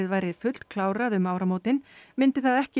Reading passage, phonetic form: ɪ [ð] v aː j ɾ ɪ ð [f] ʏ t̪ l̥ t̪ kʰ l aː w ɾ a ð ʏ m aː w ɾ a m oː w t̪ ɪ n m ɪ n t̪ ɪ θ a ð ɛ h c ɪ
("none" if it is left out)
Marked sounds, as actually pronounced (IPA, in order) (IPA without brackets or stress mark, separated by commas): ð, f